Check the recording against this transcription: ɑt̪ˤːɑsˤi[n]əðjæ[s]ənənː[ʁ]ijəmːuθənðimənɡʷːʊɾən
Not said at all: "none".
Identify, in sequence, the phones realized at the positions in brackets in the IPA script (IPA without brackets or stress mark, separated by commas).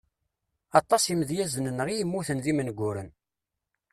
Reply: m, z, ʁ